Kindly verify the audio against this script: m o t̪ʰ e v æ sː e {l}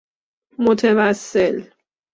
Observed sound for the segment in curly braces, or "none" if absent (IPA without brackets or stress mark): l